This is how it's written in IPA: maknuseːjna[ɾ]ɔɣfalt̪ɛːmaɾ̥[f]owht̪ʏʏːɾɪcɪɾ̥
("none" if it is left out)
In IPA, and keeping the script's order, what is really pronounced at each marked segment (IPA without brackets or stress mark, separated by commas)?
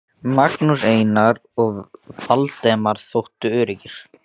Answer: ɾ, θ